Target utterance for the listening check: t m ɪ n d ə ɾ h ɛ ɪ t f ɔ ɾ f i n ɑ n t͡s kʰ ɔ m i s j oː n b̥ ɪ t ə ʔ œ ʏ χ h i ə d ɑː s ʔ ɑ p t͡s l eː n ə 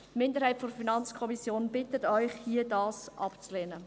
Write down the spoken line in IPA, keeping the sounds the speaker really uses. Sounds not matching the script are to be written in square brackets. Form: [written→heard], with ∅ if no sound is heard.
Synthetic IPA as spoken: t m ɪ n d ə ɾ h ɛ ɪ t f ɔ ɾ f i n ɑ n t͡s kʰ ɔ m i s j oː n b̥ ɪ t ə [ʔ→t] œ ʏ χ h i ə d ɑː s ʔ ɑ p t͡s l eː n ə